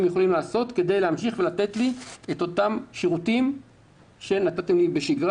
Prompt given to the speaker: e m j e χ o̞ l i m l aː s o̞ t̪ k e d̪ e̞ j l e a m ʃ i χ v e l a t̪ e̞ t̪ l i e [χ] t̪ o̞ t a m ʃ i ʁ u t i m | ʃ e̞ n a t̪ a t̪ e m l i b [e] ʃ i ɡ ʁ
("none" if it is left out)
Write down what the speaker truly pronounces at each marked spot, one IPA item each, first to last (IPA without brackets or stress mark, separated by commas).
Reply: none, e